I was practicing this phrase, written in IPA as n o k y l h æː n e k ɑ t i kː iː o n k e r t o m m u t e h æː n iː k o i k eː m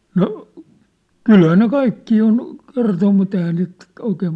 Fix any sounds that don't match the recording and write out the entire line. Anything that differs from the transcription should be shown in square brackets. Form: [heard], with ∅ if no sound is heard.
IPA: n o k y l h æː n e k ɑ [∅] i kː iː o n k e r t o m m u t e h æː n iː [t] o i k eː m